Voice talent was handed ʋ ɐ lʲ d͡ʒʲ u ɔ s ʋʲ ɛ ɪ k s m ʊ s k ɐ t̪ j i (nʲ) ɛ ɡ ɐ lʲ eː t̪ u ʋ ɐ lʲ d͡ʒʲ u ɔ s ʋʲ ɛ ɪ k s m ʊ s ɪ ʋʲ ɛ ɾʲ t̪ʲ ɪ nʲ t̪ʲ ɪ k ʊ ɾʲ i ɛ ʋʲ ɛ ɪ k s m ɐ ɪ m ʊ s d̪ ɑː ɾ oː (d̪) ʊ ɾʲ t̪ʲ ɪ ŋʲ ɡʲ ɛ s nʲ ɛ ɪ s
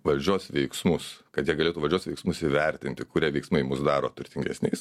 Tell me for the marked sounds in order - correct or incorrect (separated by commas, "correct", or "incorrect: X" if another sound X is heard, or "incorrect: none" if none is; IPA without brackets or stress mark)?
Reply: incorrect: none, incorrect: t̪